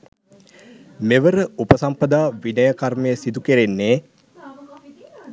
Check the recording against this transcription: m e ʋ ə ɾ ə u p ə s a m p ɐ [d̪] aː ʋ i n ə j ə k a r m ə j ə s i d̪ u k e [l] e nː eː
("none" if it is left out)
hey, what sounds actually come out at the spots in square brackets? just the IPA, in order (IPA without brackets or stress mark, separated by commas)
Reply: d̪, ɾ